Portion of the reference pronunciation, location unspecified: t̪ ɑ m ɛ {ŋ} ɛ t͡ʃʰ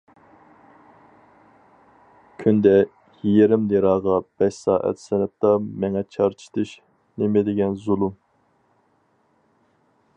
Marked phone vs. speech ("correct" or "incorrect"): correct